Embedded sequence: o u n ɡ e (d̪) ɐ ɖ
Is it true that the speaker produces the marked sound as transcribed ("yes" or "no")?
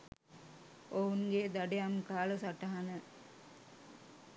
yes